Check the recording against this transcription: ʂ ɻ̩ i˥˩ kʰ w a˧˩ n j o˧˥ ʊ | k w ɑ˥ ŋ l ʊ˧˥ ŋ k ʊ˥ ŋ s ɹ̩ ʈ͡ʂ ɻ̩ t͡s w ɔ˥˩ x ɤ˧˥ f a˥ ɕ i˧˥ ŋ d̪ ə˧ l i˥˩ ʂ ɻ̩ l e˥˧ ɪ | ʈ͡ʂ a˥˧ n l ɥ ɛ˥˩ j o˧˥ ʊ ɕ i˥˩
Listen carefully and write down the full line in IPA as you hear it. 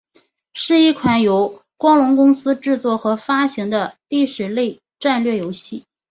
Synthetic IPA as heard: ʂ ɻ̩ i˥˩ kʰ w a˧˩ n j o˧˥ ʊ | k w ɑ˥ ŋ l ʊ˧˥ ŋ k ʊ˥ ŋ s ɹ̩ ʈ͡ʂ ɻ̩ t͡s w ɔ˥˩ x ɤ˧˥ f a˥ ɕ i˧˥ ŋ d̪ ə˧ l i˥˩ ʂ ɻ̩ l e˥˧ ɪ | ʈ͡ʂ a˥˧ n l ɥ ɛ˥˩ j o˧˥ ʊ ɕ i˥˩